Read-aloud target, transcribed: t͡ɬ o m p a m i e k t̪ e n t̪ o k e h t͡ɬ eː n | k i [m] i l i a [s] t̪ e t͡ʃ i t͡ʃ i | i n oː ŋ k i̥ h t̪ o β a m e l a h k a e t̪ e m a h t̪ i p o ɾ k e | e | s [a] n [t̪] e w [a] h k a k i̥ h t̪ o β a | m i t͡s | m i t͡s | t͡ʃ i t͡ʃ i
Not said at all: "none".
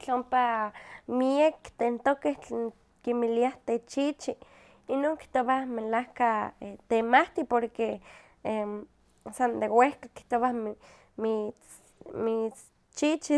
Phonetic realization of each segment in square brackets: m, h, a, d̪, e

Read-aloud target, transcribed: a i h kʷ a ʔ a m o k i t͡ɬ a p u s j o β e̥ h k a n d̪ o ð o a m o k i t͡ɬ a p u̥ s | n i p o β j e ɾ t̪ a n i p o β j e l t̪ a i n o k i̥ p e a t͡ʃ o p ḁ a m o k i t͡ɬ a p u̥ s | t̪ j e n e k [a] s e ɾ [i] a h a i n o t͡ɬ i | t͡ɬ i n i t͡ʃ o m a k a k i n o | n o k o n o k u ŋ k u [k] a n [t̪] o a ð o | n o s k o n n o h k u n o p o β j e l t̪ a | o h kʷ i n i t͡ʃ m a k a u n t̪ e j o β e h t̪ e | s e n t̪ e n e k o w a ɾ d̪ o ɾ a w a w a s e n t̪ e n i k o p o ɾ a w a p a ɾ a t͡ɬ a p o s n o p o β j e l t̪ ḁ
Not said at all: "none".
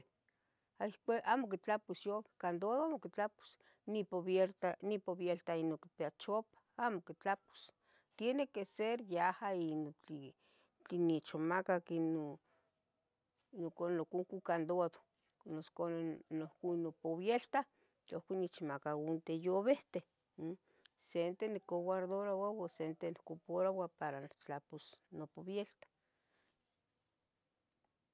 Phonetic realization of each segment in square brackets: e, j, k, d̪

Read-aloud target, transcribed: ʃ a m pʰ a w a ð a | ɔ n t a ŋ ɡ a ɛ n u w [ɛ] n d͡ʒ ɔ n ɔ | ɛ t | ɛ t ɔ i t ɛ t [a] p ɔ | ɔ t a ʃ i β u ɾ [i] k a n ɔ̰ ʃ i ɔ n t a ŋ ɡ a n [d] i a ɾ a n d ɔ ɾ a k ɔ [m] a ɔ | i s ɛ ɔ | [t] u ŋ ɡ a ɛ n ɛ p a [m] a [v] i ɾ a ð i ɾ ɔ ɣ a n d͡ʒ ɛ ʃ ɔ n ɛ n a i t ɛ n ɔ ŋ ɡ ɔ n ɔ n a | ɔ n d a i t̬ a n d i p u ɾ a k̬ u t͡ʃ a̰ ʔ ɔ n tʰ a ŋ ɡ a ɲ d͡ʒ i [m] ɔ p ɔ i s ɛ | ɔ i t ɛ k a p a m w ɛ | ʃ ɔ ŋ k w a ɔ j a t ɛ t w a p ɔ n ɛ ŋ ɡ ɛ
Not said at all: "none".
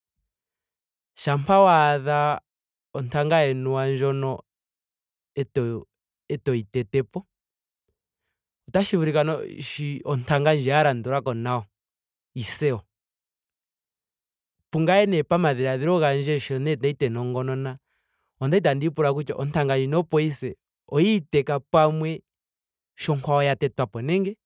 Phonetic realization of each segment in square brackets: a, ɛ, i, d͡ʒ, n, p, m, ð, n

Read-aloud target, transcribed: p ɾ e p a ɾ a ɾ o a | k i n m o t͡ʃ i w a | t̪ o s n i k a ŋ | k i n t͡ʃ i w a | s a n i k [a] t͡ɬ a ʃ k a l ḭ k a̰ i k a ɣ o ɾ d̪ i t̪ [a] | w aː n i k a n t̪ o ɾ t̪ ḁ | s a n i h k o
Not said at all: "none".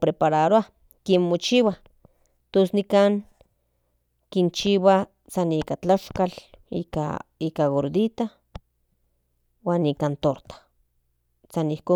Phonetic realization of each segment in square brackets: a, a

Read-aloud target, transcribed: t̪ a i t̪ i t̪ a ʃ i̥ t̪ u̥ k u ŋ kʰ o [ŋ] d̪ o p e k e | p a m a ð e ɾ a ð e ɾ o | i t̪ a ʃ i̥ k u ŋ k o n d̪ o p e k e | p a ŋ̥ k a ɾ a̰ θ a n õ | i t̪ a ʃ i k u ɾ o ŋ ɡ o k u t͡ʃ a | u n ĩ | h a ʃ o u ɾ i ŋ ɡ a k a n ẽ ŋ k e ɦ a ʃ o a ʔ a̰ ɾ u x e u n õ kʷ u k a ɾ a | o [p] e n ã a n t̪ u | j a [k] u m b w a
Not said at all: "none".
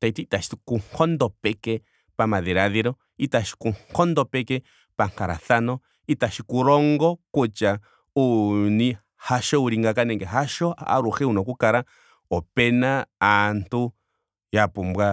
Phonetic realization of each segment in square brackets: n, p, p

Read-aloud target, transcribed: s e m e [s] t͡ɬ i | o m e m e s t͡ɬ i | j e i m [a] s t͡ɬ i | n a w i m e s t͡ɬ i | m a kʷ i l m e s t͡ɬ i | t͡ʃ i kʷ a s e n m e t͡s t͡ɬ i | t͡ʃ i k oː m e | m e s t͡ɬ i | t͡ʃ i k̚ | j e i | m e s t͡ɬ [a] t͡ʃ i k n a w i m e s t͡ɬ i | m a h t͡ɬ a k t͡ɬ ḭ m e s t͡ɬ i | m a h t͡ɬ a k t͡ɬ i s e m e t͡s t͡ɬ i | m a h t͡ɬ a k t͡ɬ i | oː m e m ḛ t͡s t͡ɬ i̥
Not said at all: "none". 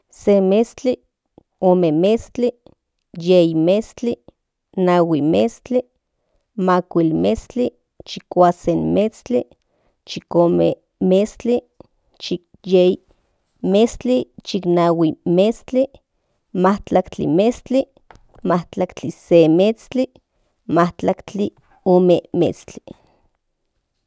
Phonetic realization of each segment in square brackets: s, e, i

